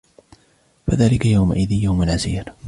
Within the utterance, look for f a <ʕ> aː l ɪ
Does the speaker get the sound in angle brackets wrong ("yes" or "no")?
yes